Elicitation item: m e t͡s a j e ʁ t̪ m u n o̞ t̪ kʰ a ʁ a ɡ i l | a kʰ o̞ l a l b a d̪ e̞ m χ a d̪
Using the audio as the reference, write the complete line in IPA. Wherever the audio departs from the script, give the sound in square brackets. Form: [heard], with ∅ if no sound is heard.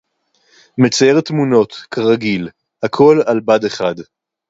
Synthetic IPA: m e t͡s a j e ʁ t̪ m u n o̞ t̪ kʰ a ʁ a ɡ i l | a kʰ o̞ l a l b a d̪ e̞ [∅] χ a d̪

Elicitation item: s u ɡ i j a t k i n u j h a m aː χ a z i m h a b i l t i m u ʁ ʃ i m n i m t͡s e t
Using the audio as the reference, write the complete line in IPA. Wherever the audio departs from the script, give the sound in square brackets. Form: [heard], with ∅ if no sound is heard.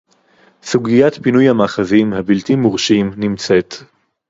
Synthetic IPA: s u ɡ i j a t [p] i n u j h a m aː χ a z i m h a b i l t i m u ʁ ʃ i m n i m t͡s e t

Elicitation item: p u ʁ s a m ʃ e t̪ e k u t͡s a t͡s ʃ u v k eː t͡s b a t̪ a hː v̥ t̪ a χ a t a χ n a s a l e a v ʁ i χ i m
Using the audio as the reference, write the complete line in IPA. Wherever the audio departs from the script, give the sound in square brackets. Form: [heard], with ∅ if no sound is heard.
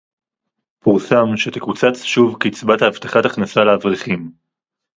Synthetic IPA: p u ʁ s a m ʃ e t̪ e k u t͡s a t͡s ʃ u v k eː t͡s b a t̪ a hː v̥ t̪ a χ a t a χ n a s a l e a v ʁ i χ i m

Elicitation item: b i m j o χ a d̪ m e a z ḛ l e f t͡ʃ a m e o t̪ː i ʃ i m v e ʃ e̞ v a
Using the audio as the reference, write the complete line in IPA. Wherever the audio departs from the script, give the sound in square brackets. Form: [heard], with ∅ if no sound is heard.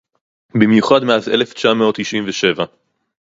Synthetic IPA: b i m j [u] χ a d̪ m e a z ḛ l e f t͡ʃ a m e o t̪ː i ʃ i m v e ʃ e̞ v a

